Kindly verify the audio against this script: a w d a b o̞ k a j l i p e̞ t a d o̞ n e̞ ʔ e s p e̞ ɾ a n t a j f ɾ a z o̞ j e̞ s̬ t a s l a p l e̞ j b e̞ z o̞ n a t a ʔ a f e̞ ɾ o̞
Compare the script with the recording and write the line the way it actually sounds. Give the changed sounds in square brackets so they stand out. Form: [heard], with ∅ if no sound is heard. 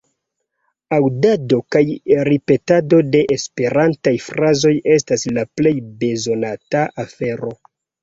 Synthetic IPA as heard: a w d a [d] o̞ k a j [ɾ] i p e̞ t a d o̞ [d] e̞ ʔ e s p e̞ ɾ a n t a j f ɾ a z o̞ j e̞ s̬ t a s l a p l e̞ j b e̞ z o̞ n a t a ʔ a f e̞ ɾ o̞